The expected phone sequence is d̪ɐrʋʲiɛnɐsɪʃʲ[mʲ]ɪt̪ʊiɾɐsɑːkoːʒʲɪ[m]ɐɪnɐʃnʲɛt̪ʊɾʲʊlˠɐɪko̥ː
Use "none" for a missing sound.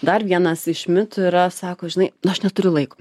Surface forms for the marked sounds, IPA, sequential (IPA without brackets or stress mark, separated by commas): mʲ, n